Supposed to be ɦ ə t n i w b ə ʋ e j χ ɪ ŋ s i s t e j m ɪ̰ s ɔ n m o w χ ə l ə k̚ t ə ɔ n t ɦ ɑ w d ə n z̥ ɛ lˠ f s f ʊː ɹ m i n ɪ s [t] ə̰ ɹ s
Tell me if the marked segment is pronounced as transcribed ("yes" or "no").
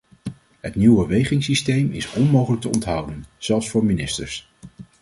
yes